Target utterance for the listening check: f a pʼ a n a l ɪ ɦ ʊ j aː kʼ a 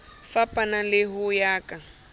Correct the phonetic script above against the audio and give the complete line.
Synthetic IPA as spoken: f a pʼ a n a l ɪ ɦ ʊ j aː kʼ a